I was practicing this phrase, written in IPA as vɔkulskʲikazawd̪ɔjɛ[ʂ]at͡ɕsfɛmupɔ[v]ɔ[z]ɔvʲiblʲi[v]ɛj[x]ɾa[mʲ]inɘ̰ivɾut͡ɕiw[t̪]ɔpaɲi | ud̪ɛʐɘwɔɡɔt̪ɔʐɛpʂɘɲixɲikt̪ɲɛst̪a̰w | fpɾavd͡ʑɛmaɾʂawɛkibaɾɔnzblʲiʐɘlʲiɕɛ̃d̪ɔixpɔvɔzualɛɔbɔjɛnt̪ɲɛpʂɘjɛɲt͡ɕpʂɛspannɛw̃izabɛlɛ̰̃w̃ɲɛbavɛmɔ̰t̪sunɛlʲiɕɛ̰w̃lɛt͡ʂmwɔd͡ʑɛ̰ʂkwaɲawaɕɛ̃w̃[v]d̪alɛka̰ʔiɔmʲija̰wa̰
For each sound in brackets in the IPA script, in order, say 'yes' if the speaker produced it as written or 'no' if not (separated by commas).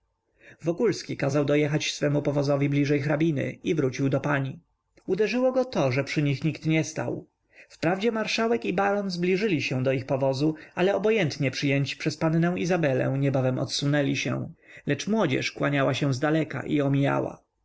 no, yes, yes, no, yes, no, no, no